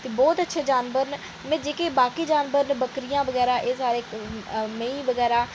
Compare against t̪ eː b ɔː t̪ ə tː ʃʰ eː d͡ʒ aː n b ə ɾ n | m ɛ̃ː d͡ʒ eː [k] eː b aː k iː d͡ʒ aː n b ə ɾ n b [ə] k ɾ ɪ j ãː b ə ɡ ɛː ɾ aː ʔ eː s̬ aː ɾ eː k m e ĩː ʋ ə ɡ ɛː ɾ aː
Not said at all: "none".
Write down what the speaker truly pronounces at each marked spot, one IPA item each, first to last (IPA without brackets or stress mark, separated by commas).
k, ə